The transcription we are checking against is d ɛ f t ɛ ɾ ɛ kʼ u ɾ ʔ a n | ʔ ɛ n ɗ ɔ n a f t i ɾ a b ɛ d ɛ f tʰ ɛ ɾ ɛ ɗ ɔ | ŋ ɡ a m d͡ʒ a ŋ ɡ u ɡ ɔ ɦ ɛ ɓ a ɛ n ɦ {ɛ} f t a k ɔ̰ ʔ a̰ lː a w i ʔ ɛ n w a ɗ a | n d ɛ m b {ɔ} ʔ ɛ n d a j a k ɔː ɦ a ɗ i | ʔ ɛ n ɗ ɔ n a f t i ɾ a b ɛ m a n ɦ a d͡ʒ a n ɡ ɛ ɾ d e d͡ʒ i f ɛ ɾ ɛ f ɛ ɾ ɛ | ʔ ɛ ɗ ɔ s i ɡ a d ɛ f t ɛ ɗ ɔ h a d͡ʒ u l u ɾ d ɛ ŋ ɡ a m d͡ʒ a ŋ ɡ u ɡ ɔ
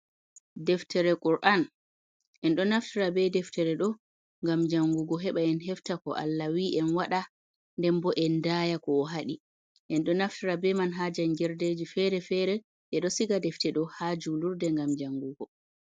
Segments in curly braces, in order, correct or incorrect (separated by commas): correct, correct